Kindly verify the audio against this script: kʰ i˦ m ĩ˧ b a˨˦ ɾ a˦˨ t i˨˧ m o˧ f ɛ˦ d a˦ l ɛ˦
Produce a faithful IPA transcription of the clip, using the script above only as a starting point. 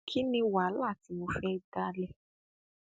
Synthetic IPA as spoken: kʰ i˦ n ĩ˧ w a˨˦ l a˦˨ t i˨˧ m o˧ f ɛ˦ d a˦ l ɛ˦